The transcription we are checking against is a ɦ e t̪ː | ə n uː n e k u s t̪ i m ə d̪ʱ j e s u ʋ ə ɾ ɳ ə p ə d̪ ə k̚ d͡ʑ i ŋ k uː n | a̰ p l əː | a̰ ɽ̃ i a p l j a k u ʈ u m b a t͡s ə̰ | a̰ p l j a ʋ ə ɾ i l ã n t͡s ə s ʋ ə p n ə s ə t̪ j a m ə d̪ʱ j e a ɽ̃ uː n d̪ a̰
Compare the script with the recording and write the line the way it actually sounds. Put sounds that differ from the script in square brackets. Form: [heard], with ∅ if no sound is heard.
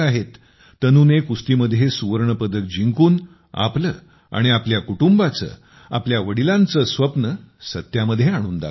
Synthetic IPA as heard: a ɦ e t̪ː | ə n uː n e k u s t̪ i m ə d̪ʱ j e s u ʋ ə ɾ ɳ ə p ə d̪ ə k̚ d͡ʑ i ŋ k uː n | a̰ p l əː | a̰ ɽ̃ i a p l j a k u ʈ u m b a t͡s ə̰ | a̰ p l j a ʋ ə [ɽ] i l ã n t͡s ə s ʋ ə p n ə s ə t̪ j a m ə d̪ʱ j e a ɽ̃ uː n d̪ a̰